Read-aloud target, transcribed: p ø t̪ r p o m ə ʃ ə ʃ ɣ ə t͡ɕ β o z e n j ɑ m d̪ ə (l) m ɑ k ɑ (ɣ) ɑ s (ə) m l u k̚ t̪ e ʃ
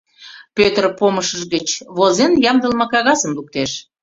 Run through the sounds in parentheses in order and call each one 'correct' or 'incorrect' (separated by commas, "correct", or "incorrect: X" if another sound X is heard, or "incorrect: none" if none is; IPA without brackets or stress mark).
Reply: correct, correct, correct